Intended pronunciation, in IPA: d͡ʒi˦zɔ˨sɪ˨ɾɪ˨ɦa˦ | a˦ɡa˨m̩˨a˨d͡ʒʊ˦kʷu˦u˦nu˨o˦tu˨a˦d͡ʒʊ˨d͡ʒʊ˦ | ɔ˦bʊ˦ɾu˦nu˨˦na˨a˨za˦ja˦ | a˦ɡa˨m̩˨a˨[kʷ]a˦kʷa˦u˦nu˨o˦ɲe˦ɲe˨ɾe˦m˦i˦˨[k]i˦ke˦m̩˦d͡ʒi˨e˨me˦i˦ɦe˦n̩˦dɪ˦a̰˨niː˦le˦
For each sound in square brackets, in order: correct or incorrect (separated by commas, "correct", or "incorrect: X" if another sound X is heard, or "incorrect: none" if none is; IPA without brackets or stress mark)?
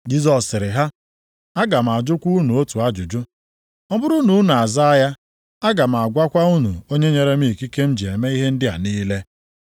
incorrect: ɡʷ, correct